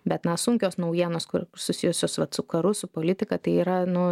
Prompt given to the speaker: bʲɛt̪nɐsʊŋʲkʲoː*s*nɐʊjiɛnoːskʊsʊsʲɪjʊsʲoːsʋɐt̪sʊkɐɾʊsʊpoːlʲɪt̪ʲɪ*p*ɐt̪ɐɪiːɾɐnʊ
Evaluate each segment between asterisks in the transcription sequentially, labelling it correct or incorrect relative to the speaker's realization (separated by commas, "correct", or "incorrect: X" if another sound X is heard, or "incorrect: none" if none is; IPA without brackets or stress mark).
correct, incorrect: k